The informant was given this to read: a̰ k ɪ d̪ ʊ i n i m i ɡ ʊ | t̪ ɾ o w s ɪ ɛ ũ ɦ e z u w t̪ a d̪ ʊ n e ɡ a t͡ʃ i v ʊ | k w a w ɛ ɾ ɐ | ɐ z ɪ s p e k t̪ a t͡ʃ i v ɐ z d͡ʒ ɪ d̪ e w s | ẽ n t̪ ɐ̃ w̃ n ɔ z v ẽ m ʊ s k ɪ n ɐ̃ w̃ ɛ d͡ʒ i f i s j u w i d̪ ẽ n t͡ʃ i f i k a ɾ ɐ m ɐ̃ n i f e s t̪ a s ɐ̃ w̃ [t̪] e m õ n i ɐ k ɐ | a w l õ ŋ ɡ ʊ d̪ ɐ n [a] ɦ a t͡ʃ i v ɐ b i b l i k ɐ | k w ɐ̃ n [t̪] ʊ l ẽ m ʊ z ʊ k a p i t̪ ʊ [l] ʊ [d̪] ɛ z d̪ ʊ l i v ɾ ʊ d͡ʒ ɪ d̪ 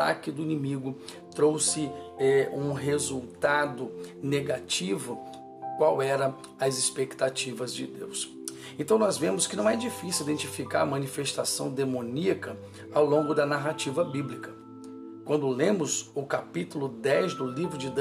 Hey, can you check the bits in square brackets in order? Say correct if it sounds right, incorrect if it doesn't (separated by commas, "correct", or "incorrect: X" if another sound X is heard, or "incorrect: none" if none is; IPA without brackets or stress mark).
incorrect: d̪, correct, incorrect: d̪, correct, correct